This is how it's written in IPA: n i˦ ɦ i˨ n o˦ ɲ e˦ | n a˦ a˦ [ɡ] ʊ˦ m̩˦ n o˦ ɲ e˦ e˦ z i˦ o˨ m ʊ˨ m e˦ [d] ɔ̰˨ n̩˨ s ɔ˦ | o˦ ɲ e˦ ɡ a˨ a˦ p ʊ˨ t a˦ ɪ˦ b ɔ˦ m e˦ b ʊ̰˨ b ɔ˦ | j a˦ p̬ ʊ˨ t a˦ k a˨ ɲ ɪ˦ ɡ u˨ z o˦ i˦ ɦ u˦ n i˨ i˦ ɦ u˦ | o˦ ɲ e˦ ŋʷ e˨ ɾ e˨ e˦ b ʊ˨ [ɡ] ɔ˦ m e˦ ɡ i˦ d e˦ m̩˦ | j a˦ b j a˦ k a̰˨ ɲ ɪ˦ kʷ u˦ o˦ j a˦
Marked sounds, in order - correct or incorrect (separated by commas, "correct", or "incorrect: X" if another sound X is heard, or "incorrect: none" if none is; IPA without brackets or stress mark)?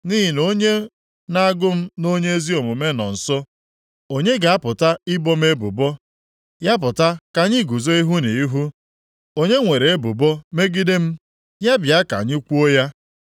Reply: correct, incorrect: n, incorrect: b